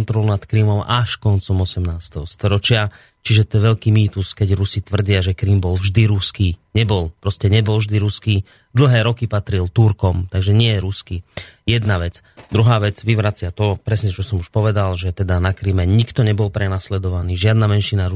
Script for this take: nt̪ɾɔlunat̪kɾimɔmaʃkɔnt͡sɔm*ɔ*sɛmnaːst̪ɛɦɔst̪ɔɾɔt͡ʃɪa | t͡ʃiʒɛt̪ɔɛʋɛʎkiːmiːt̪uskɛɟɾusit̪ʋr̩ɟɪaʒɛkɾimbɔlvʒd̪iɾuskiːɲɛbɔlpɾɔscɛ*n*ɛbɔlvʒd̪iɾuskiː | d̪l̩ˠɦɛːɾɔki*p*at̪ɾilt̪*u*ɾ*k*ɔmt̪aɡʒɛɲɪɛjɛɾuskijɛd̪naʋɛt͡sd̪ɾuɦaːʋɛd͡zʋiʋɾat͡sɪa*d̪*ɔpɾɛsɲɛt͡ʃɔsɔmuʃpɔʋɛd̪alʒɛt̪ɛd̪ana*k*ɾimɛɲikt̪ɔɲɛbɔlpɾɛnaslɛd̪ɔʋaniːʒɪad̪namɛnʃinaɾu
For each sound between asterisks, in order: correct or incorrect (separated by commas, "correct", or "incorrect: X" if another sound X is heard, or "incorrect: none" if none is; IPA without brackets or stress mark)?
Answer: correct, incorrect: ɲ, correct, correct, correct, incorrect: t̪, correct